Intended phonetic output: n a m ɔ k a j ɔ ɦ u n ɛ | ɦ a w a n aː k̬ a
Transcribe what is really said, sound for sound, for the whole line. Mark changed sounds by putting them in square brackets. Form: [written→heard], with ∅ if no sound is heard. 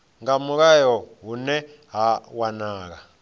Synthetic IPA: [n→ŋ] a m [ɔ→u] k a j ɔ ɦ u n ɛ | ɦ a w a n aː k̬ a